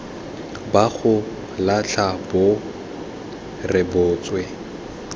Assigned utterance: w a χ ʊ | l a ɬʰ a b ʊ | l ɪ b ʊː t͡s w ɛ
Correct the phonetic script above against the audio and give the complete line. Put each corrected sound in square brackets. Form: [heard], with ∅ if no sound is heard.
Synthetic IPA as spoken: [b] a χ ʊ | l a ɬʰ a b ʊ | [r] ɪ b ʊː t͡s w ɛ